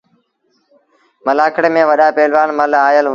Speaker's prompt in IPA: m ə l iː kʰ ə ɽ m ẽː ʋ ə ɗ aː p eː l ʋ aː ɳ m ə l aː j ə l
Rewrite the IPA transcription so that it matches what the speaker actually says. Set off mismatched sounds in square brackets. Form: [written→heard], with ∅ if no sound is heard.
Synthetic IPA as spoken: m ə l [iː→aː] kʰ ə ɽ m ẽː ʋ ə ɗ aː p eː l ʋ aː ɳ m ə l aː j ə l